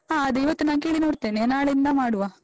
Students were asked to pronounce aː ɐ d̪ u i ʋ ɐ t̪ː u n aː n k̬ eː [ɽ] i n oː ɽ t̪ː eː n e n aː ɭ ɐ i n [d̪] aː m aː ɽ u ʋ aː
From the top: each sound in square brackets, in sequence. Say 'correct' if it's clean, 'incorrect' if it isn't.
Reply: incorrect, correct

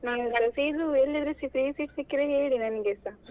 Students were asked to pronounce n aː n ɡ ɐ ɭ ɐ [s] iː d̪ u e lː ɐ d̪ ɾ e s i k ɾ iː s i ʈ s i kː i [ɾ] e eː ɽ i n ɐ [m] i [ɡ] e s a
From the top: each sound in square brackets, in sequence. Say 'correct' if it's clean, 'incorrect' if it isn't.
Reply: correct, correct, incorrect, correct

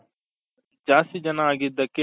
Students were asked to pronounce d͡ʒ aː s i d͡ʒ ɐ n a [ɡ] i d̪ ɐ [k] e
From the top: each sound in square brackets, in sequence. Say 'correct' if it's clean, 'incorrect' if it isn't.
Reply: correct, correct

